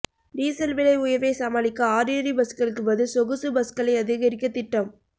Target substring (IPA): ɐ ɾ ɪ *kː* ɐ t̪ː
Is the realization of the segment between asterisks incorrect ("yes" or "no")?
no